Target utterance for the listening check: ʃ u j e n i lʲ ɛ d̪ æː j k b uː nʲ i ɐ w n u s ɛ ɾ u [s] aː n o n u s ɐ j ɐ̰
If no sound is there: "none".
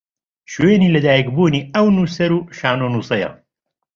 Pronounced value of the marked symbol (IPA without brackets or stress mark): ʃ